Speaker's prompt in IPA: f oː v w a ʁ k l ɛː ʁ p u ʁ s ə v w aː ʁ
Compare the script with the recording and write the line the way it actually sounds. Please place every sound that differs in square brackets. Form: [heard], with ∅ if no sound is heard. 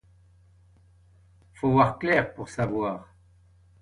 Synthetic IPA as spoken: f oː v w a ʁ k l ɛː ʁ p u ʁ s [a] v w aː ʁ